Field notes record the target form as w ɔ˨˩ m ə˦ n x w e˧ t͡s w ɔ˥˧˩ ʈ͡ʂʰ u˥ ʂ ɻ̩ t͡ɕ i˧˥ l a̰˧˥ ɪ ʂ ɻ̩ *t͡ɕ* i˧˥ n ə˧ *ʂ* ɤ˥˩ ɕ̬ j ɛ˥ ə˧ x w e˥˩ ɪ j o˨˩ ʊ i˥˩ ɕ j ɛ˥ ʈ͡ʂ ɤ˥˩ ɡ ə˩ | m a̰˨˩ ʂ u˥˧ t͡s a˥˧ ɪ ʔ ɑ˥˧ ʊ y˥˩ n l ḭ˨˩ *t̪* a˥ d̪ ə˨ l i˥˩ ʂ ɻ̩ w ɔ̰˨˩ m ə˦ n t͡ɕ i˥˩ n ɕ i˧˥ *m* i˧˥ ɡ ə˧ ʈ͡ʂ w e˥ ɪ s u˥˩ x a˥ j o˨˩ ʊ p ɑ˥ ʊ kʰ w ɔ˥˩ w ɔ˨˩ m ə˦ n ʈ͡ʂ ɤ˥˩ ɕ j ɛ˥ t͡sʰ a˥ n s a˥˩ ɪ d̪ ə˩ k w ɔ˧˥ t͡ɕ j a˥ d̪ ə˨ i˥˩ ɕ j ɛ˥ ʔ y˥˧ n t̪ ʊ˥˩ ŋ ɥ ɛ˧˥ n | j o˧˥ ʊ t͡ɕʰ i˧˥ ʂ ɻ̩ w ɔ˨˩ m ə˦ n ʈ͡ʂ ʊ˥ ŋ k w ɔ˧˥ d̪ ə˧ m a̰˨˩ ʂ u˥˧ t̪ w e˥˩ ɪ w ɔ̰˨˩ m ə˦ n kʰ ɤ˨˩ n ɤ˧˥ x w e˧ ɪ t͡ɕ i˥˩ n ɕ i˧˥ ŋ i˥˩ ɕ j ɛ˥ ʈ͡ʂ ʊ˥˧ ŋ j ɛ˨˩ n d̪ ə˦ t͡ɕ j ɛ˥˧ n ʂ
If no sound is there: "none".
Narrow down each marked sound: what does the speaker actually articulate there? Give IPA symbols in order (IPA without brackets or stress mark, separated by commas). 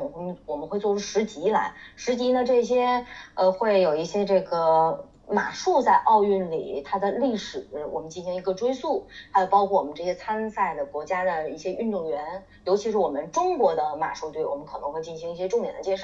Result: t͡ɕ, ʈ͡ʂ, t̪ʰ, ŋ